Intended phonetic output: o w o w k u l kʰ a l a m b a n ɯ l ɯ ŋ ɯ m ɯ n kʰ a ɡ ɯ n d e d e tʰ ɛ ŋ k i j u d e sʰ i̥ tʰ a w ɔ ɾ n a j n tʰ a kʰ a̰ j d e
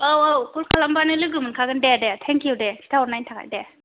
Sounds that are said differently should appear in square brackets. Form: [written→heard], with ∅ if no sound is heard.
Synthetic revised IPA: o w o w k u l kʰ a l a m b a n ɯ l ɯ [ŋ→ɡ] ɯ m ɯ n kʰ a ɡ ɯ n d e d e tʰ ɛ ŋ k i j u d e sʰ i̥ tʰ a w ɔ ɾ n a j n tʰ a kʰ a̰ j d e